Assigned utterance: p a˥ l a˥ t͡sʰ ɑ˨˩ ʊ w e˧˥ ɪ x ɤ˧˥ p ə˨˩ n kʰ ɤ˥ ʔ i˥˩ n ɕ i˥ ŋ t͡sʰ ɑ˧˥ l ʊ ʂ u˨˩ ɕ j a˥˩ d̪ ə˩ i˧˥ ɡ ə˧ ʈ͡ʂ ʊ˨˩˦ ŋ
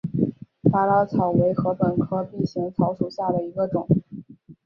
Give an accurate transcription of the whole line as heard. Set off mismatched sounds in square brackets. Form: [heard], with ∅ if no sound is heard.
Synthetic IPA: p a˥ l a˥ t͡sʰ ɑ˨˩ ʊ w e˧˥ ɪ x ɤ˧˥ p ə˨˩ n kʰ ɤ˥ [p] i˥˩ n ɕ [i˧˥] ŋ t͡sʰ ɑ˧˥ [∅] ʊ ʂ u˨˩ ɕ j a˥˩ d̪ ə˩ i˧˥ ɡ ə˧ ʈ͡ʂ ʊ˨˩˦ ŋ

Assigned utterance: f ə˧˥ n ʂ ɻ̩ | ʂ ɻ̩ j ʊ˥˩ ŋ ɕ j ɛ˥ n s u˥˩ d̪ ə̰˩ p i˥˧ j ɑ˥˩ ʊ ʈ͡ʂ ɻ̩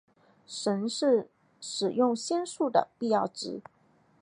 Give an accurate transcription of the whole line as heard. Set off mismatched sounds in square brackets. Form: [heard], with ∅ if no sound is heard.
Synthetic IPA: [ʂ] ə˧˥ n ʂ ɻ̩ | ʂ ɻ̩ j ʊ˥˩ ŋ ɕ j ɛ˥ n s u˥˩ d̪ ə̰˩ p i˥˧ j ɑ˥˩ ʊ ʈ͡ʂ ɻ̩

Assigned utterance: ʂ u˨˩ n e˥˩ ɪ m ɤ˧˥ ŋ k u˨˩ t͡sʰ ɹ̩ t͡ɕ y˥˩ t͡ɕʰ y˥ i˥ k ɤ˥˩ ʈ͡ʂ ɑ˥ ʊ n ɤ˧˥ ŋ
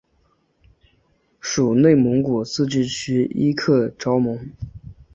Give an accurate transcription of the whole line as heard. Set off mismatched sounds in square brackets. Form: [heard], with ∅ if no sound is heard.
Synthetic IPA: ʂ u˨˩ n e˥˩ ɪ m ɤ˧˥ ŋ k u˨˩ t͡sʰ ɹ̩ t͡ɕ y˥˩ t͡ɕʰ y˥ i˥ [kʰ] ɤ˥˩ ʈ͡ʂ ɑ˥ ʊ [m] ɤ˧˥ ŋ

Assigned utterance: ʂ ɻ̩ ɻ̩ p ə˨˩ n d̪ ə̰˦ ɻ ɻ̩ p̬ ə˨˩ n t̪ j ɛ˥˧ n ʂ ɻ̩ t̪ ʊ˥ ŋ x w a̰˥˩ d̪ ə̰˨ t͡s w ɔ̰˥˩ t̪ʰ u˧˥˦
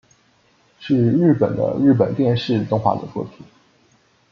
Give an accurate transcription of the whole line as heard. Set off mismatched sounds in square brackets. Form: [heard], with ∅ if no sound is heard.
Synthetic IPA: ʂ ɻ̩ ɻ̩ p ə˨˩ n d̪ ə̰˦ ɻ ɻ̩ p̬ ə˨˩ n t̪ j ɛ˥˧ n ʂ ɻ̩ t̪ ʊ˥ ŋ x w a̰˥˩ d̪ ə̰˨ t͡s w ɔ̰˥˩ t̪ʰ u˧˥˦

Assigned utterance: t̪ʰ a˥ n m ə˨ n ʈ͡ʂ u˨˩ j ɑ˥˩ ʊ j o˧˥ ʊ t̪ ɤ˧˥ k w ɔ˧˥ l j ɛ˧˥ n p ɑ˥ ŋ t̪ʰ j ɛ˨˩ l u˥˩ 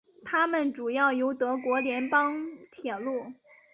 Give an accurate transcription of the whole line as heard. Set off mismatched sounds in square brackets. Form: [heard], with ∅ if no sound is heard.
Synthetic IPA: t̪ʰ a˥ [∅] m ə˨ n ʈ͡ʂ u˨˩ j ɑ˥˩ ʊ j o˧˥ ʊ t̪ ɤ˧˥ k w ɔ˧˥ l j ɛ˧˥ n p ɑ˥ ŋ t̪ʰ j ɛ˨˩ l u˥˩

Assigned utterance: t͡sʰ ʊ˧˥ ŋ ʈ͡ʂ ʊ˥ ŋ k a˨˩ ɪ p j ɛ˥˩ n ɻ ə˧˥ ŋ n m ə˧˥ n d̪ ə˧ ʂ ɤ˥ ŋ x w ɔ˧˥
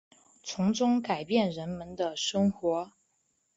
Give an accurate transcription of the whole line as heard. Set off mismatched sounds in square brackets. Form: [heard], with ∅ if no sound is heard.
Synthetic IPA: t͡sʰ ʊ˧˥ ŋ ʈ͡ʂ ʊ˥ ŋ k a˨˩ ɪ p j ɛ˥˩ n ɻ ə˧˥ [∅] n m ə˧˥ n d̪ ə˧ ʂ ɤ˥ ŋ x w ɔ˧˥

